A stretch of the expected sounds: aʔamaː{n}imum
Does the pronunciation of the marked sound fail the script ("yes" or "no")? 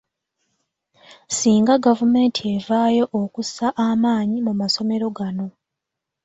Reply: yes